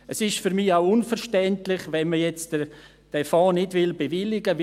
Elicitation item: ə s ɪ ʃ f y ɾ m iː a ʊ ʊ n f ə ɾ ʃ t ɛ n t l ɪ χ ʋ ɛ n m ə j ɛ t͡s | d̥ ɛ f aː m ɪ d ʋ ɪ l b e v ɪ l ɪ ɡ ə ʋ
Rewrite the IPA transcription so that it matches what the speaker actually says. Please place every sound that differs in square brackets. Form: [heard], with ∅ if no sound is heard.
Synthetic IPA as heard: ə s ɪ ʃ f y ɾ m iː a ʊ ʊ n f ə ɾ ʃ t ɛ n t l ɪ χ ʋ ɛ n m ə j ɛ t͡s | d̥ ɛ f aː [n] ɪ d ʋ ɪ l b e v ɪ l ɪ ɡ ə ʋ